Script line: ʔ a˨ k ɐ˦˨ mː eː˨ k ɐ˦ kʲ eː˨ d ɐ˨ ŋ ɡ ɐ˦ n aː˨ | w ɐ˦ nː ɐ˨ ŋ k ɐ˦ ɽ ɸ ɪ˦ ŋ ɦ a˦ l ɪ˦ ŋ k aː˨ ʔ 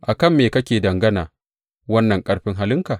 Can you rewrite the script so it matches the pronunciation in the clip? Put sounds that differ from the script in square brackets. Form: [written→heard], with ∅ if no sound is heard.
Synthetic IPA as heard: ʔ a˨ k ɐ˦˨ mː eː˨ k ɐ˦ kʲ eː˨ d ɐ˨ ŋ ɡ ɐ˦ n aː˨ | w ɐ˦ nː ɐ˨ ŋ [k→kʼ] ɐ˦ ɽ ɸ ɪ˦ ŋ ɦ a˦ l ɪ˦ ŋ k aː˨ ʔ